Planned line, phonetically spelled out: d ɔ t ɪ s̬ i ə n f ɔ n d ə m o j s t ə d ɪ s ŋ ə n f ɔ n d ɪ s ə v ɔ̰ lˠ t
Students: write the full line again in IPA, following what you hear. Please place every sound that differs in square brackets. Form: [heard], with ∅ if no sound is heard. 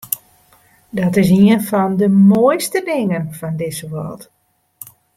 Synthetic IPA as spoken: d ɔ t ɪ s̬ i ə n f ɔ n d ə m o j s t ə d ɪ [∅] ŋ ə n f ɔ n d ɪ s ə [ʋ] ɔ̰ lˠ t